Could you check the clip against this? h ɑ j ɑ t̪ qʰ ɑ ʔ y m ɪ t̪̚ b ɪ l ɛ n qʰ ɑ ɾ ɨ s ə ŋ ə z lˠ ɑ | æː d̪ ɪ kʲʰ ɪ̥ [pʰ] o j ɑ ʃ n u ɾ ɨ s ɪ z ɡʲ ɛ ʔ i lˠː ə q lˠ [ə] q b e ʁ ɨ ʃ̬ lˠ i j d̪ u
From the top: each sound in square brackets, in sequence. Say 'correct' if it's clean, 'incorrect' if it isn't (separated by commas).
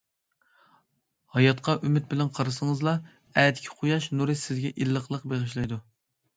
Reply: incorrect, correct